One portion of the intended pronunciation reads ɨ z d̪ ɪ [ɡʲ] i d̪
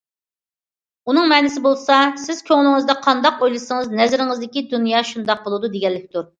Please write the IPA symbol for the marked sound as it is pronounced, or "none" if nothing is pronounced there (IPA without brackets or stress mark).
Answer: kʲ